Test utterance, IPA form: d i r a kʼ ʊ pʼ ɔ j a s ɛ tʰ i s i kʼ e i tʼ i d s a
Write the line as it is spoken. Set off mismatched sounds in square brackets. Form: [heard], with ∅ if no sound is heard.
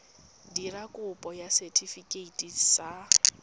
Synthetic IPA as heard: d i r a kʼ ʊ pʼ ɔ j a s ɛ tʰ i [f] i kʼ e i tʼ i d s a